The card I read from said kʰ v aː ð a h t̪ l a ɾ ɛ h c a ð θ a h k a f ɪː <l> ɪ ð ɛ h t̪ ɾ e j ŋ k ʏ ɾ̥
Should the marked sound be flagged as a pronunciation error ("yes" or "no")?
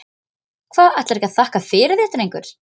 yes